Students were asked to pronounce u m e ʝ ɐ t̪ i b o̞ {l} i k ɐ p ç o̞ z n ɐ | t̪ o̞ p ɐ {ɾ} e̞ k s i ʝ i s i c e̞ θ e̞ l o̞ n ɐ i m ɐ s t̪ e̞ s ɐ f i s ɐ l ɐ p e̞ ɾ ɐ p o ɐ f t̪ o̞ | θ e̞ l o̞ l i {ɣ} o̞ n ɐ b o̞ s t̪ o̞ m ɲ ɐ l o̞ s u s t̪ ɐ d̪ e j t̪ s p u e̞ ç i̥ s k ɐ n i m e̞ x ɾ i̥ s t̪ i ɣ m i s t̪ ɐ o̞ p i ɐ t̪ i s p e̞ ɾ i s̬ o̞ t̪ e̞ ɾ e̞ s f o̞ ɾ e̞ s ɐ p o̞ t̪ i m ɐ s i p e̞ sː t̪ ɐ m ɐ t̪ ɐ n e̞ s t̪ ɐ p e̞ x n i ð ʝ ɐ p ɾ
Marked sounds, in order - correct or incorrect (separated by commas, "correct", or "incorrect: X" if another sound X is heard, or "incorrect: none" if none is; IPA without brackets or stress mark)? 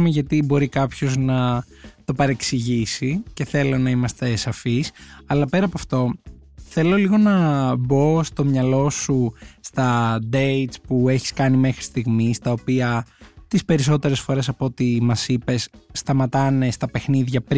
incorrect: ɾ, correct, correct